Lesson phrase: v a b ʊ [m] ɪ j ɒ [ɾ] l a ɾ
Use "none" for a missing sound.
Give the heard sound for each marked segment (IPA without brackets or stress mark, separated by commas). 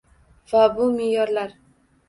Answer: m, ɾ